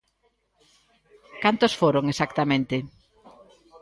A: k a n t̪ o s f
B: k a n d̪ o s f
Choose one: A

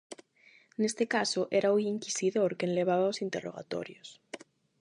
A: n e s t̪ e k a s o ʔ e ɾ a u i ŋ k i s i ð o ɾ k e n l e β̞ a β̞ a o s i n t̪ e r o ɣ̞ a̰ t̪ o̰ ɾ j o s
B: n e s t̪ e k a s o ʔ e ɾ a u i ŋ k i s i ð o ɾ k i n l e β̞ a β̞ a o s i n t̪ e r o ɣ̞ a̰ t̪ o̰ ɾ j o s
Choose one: A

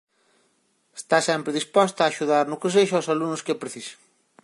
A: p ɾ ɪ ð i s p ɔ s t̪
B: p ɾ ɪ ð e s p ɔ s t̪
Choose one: A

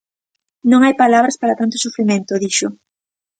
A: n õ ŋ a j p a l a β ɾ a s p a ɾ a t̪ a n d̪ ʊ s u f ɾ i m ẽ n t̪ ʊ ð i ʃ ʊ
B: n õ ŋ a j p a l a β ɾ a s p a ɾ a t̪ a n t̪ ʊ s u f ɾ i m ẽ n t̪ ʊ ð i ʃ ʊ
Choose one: B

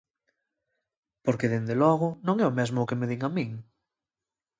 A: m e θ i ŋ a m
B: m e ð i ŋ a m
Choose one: B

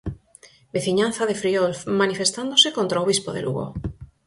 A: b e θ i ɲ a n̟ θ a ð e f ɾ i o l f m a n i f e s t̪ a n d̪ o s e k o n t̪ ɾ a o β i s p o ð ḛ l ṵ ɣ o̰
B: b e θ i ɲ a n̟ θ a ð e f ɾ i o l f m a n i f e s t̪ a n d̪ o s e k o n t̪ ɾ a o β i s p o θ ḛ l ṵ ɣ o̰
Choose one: A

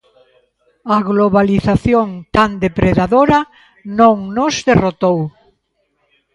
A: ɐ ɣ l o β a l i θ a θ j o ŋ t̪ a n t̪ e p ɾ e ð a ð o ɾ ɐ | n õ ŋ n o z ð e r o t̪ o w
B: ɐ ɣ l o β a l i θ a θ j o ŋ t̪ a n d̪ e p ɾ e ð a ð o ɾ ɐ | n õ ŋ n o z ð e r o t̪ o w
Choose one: B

